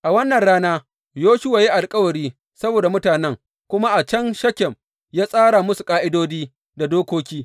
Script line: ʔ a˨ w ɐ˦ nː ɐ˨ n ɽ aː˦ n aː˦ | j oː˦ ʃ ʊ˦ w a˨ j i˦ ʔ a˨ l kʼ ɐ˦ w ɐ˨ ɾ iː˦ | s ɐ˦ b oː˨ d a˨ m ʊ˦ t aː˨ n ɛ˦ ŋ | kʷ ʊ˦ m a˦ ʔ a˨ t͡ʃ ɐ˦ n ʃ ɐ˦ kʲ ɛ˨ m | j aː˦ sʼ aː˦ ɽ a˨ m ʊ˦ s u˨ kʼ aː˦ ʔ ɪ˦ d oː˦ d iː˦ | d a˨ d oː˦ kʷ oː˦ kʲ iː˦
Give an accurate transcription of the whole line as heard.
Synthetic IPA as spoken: ʔ a˨ w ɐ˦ nː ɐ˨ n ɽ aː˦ n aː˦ | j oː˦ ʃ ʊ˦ w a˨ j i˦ ʔ a˨ l kʼ ɐ˦ w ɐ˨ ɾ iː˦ | s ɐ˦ b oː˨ d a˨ m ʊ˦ t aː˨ n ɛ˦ ŋ | kʷ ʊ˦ m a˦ ʔ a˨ t͡ʃ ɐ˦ n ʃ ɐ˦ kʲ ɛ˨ m | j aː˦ sʼ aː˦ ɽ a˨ m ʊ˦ s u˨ kʼ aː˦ ʔ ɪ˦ d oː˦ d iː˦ | d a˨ d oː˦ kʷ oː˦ kʲ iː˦